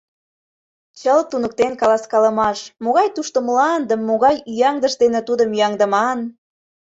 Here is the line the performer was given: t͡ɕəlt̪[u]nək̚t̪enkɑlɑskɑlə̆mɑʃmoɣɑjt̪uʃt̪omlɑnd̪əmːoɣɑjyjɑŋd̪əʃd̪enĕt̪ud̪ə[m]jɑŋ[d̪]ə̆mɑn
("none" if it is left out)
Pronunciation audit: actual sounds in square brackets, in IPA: u, m, d̪

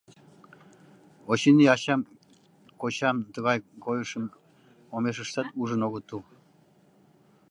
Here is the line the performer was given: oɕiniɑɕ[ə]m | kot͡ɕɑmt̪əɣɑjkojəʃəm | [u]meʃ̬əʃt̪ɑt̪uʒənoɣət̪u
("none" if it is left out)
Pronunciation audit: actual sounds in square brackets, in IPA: ɑ, o

